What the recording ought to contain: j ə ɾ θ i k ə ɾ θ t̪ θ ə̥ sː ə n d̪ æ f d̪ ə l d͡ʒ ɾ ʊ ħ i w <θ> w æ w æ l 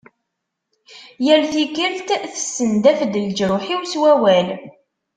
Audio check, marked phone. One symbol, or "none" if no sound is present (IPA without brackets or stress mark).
s